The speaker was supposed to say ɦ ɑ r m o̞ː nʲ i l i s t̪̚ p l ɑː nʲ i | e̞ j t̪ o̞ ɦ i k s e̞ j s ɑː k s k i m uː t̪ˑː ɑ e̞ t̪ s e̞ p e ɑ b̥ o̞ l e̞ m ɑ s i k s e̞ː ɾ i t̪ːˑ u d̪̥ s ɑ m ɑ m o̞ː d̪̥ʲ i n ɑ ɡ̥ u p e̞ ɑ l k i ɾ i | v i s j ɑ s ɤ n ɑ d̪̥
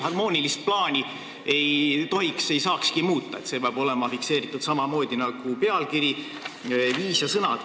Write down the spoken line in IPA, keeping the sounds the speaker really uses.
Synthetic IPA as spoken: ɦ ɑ r m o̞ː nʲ i l i s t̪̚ p l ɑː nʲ i | e̞ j t̪ o̞ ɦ i k s e̞ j s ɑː k s k i m uː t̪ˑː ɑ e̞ t̪ s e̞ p e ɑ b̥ o̞ l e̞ m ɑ f i k s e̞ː ɾ i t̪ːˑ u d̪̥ s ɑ m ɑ m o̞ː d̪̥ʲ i n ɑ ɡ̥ u p e̞ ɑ l k i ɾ i | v iː s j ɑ s ɤ n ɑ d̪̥